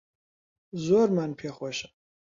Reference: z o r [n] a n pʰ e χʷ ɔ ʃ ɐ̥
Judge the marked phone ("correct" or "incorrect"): incorrect